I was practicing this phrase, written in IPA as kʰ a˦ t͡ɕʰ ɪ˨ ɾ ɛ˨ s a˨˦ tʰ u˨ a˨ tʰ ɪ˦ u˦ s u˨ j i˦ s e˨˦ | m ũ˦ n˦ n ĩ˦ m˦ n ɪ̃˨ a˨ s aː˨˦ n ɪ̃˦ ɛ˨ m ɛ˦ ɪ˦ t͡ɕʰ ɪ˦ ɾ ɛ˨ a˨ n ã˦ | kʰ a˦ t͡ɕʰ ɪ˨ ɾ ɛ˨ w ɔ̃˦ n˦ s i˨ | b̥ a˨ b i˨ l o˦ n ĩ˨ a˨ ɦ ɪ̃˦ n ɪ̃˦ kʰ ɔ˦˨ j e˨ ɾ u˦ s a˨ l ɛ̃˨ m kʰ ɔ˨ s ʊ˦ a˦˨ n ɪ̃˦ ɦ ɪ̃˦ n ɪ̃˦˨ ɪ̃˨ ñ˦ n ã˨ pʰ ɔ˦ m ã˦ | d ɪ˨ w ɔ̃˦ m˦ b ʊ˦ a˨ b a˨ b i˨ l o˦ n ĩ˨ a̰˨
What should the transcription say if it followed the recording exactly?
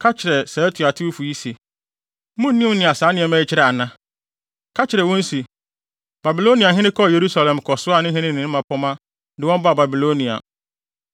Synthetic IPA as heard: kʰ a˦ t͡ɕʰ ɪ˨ ɾ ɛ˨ s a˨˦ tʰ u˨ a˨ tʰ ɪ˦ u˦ f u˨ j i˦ s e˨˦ | m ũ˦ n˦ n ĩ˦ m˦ n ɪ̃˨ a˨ s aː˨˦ n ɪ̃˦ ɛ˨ m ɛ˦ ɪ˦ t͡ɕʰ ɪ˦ ɾ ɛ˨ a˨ n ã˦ | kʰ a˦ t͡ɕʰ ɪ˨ ɾ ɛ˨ w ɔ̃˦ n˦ s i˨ | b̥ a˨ b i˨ l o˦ n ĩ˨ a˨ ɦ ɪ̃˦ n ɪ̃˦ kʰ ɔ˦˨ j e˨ ɾ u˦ s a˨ l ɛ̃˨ m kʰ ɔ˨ s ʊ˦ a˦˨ n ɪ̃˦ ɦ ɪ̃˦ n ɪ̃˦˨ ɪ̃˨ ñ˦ m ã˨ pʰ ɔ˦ m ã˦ | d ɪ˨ w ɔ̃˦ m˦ b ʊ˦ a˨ b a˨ b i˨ l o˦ n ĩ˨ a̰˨